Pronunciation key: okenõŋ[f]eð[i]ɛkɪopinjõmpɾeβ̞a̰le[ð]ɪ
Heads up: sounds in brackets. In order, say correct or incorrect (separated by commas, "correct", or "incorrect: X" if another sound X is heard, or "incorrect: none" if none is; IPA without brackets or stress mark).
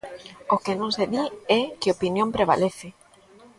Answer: incorrect: s, correct, incorrect: θ